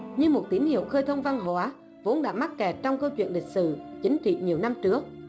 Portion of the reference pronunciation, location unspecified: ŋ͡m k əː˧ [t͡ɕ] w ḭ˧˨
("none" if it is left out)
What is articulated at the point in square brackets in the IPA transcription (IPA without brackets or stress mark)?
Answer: t͡ɕ